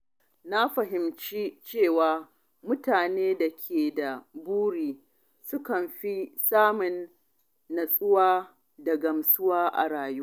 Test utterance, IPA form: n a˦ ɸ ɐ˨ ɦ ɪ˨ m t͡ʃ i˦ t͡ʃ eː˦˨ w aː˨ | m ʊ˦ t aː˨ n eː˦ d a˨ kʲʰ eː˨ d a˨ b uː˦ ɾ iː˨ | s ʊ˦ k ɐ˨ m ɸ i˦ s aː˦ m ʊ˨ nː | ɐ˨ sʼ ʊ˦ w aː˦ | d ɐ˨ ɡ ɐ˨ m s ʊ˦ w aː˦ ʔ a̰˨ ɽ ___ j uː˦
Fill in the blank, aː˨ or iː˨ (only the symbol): aː˨